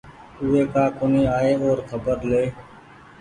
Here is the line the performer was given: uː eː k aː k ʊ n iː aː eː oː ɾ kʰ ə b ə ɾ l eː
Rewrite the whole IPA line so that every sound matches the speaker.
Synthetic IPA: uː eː k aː k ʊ n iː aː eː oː ɾ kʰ ə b ə ɾ l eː